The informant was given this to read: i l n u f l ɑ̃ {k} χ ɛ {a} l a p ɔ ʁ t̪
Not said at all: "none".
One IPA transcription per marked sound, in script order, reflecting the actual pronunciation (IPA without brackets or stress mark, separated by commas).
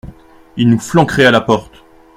k, a